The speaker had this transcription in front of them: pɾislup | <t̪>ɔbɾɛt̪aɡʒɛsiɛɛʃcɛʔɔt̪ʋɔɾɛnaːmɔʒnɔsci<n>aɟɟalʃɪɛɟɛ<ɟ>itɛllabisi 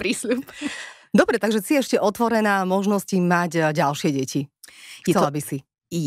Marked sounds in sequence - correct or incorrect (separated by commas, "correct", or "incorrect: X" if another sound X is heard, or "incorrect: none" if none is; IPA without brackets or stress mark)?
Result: incorrect: d̪, incorrect: m, incorrect: c